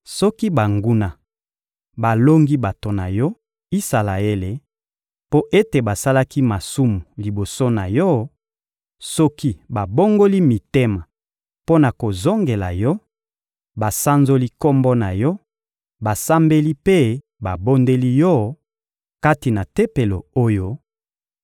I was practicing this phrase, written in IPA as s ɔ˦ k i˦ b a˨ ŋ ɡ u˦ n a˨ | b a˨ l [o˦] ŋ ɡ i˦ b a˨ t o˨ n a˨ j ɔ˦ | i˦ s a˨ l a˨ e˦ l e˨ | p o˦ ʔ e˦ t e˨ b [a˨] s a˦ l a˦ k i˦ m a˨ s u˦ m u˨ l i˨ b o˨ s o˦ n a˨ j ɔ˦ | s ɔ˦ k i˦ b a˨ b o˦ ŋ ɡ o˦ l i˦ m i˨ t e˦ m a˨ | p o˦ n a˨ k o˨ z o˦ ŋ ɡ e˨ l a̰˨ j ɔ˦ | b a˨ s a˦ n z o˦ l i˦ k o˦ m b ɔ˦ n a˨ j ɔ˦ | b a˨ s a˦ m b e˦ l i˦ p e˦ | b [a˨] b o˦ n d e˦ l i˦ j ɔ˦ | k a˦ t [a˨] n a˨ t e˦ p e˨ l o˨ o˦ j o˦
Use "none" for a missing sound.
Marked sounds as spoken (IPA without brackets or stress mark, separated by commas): o˦, a˨, a˨, i˨